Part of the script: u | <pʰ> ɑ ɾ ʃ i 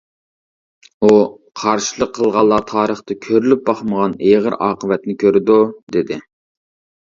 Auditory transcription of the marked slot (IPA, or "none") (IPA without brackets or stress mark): qʰ